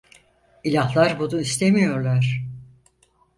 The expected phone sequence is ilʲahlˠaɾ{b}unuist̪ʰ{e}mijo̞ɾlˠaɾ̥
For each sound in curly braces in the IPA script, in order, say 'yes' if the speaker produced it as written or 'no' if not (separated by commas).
yes, yes